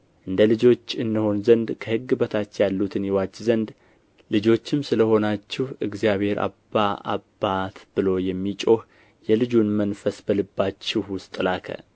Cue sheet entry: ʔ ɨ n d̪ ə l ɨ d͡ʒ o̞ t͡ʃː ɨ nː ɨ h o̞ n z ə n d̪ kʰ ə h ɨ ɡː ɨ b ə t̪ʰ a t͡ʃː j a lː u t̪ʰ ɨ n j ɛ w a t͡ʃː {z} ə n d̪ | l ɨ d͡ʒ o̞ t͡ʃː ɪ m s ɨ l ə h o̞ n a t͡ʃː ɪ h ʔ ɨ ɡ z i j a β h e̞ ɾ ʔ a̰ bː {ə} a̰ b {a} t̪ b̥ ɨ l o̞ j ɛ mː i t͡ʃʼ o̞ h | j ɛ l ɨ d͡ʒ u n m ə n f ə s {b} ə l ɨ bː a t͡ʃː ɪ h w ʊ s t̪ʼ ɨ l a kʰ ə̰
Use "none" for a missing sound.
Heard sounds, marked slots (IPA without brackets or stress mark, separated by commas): z, a, a, b